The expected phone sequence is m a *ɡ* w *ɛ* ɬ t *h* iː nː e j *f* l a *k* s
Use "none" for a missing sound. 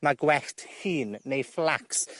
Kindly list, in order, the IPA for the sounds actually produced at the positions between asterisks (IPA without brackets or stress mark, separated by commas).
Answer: ɡ, ɛ, h, f, k